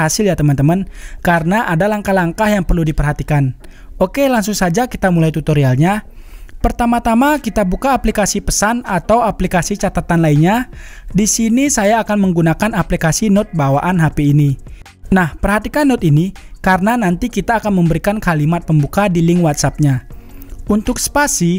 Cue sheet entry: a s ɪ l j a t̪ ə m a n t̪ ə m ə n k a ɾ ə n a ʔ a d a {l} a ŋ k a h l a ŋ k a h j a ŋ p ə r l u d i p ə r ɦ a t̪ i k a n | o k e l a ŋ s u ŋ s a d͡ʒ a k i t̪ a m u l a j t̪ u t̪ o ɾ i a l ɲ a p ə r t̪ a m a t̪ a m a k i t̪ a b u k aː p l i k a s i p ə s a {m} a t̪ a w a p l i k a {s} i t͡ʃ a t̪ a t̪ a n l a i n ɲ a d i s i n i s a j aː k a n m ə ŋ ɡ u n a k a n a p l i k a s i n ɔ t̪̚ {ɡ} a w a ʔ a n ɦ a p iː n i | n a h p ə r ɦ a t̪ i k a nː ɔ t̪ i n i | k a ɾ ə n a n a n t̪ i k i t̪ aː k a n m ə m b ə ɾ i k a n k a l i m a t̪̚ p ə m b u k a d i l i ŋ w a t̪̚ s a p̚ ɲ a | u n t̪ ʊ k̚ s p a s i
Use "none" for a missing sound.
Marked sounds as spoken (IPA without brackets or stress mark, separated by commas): l, n, s, b